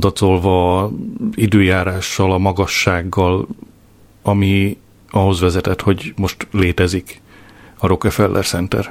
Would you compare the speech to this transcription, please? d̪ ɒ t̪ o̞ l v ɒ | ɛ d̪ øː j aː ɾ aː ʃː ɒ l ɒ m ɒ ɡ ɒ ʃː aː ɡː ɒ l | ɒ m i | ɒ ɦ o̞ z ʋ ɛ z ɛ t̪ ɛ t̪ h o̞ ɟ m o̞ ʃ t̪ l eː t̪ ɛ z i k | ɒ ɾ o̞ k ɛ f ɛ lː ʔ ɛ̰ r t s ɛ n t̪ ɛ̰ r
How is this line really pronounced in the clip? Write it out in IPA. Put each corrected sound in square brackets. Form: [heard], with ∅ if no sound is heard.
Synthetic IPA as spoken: d̪ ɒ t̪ o̞ l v ɒ | [i] d̪ øː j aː ɾ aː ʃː ɒ l ɒ m ɒ ɡ ɒ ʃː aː ɡː ɒ l | ɒ m i | ɒ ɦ o̞ z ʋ ɛ z ɛ t̪ ɛ t̪ h o̞ ɟ m o̞ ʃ t̪ l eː t̪ ɛ z i k | ɒ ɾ o̞ k ɛ f ɛ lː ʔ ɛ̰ r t s ɛ n t̪ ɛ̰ r